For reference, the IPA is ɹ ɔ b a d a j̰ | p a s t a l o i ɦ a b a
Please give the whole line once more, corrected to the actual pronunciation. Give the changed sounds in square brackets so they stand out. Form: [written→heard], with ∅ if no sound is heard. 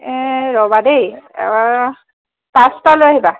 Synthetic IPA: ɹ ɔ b a d [a→e] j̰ | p a s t a l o [i→a] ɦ [a→i] b a